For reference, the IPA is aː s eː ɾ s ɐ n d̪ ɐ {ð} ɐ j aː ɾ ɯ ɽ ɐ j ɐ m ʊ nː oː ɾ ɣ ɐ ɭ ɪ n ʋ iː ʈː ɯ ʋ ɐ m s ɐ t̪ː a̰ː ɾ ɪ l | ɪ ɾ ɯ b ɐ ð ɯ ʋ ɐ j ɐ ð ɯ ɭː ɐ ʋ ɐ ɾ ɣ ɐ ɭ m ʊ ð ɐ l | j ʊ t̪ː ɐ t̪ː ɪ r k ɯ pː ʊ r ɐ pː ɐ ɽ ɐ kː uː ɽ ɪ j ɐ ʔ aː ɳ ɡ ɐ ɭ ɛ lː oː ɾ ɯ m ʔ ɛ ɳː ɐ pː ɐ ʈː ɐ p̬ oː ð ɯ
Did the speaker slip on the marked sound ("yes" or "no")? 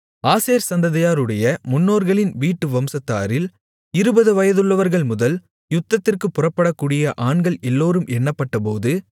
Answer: no